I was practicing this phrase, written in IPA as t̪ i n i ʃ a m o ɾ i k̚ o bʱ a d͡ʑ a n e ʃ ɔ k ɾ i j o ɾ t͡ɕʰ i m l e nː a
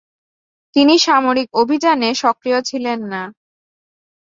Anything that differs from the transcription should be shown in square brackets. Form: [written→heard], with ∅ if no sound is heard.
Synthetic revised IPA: t̪ i n i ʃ a m o ɾ i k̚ o bʱ [a→i] d͡ʑ a n e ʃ ɔ k ɾ i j o [ɾ→∅] t͡ɕʰ i [m→∅] l e nː a